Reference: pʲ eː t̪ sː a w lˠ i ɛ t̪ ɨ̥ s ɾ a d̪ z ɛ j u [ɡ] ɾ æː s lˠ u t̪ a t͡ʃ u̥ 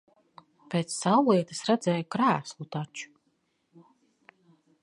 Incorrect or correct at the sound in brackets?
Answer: incorrect: k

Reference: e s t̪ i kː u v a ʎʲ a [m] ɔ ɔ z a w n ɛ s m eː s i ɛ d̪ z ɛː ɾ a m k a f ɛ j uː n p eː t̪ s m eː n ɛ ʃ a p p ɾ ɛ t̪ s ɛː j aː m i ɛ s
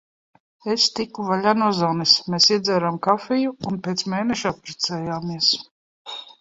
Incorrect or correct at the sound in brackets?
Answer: incorrect: n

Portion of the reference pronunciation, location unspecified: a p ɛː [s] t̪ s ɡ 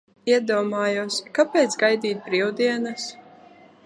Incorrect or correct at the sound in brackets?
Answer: incorrect: none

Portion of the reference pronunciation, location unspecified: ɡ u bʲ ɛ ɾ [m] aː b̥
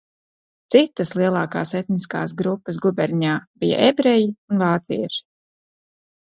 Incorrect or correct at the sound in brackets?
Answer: incorrect: ɲ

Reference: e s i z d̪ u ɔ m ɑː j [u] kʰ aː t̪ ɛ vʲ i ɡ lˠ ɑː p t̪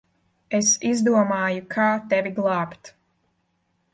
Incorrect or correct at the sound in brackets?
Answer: correct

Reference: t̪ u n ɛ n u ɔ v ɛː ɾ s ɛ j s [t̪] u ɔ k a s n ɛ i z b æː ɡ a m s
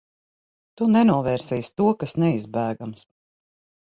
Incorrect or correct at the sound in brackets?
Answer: correct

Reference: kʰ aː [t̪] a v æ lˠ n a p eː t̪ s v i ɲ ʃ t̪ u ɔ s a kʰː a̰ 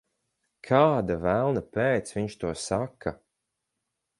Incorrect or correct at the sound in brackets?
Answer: incorrect: d̪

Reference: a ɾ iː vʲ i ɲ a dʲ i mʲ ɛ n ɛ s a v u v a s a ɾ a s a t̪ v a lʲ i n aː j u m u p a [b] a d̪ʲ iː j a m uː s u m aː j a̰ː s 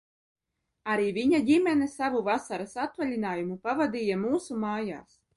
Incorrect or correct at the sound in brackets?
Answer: incorrect: v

